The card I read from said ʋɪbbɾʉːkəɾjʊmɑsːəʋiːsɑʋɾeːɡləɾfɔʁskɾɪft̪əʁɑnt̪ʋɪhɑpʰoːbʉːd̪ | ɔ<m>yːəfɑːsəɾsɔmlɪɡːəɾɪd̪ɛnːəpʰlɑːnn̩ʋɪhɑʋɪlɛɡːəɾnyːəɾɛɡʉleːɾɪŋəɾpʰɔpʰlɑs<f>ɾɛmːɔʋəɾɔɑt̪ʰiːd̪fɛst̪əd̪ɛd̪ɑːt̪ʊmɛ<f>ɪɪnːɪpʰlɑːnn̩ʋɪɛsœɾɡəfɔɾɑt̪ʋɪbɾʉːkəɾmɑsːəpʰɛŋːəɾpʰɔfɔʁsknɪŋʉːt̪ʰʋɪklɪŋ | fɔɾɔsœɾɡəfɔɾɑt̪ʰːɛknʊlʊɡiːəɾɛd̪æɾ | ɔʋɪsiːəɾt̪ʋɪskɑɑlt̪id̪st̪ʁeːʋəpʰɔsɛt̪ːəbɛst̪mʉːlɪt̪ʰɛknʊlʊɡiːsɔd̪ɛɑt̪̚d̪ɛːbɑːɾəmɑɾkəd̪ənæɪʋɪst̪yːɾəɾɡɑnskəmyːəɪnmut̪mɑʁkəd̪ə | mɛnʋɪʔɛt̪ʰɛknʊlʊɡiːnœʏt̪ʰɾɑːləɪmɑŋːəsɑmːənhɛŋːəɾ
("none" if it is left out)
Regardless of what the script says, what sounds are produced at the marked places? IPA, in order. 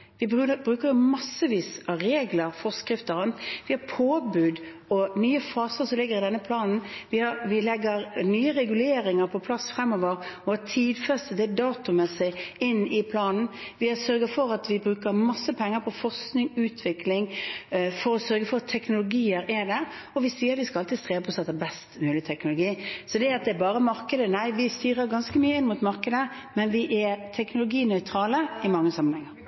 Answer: n, f, s

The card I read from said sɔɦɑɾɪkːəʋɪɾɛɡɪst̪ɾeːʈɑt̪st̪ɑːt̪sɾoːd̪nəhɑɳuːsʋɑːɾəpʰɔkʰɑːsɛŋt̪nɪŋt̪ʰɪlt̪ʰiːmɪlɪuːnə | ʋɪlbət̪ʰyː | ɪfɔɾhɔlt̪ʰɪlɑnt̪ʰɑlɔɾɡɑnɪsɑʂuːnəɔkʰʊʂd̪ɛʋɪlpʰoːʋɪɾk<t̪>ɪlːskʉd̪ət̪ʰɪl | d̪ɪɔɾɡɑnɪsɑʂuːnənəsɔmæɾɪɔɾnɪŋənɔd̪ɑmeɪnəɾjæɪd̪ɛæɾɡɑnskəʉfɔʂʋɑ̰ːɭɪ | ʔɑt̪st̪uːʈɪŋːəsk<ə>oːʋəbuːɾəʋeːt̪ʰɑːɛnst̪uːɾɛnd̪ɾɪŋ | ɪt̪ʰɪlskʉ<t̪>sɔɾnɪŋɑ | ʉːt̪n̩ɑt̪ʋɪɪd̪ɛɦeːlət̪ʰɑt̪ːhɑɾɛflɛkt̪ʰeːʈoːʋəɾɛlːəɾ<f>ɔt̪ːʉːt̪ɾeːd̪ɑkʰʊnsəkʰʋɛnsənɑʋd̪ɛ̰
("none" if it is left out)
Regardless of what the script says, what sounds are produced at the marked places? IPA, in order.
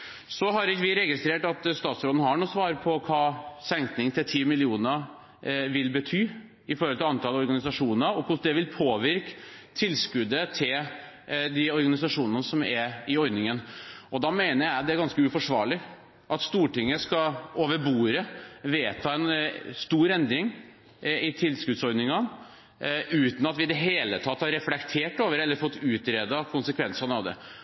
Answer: t̪ʰ, ɑ, d̪, f

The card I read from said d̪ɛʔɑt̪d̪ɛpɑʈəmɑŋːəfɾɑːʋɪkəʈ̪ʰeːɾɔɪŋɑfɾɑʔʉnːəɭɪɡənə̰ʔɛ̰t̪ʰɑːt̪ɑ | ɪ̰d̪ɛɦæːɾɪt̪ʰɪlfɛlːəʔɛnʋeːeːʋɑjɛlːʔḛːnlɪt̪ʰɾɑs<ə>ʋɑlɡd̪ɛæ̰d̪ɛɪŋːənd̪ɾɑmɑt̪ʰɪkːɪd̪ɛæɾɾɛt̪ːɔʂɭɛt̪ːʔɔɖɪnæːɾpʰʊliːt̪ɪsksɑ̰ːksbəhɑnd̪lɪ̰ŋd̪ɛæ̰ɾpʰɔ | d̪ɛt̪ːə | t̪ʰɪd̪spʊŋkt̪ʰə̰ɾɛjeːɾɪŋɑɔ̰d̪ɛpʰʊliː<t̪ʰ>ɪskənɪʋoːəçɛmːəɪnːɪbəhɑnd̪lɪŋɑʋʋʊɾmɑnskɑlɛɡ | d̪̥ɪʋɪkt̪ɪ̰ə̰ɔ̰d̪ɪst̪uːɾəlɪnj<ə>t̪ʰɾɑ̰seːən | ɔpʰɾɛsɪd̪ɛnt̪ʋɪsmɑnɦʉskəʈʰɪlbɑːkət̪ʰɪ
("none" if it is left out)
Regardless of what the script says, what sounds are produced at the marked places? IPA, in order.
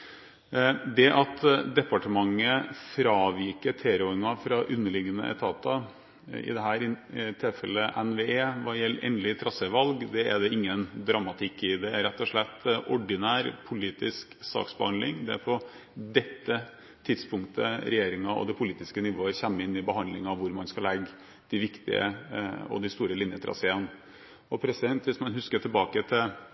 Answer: ə, t̪, ə

